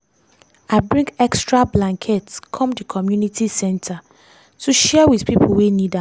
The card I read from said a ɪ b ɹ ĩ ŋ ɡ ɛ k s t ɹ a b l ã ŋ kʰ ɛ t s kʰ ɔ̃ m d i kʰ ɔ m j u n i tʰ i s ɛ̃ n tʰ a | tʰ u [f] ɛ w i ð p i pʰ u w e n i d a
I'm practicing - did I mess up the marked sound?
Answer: yes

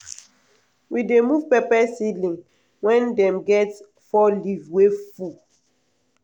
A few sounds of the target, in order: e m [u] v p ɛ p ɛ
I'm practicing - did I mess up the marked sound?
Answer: no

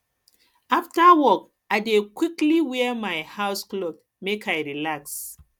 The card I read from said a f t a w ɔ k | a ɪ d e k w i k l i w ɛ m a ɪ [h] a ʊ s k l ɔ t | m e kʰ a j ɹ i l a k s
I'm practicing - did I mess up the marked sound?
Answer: no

